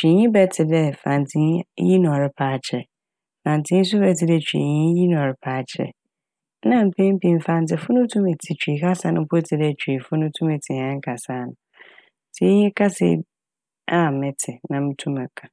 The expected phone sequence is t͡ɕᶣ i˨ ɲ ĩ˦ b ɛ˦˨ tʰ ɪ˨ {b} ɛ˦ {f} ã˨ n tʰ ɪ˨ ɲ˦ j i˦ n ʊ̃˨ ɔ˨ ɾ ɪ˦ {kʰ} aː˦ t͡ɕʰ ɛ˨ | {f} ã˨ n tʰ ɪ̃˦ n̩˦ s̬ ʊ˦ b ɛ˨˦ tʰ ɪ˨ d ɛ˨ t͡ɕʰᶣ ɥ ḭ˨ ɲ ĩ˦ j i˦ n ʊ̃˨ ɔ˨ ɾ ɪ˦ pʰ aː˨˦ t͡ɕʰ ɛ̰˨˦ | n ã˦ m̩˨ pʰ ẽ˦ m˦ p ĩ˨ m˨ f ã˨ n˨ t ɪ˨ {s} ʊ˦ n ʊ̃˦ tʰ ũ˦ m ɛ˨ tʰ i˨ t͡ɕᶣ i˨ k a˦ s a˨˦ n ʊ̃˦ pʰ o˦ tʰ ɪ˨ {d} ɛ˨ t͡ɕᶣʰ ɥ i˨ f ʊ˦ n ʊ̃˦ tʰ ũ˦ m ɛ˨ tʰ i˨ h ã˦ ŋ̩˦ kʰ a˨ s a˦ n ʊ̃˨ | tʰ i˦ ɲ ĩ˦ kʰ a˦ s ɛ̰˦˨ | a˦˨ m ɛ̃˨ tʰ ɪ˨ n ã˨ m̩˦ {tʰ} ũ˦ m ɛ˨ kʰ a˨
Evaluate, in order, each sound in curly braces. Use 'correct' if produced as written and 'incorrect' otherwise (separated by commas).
incorrect, correct, incorrect, correct, incorrect, correct, correct